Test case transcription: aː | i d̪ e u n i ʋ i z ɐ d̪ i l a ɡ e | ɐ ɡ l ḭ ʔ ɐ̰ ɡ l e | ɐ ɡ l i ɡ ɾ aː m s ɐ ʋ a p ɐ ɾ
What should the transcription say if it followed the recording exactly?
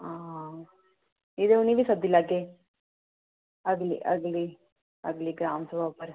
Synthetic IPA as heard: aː | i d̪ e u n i ʋ i s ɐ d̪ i l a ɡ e | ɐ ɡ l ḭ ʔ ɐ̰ ɡ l i | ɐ ɡ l i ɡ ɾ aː m s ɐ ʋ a p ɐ ɾ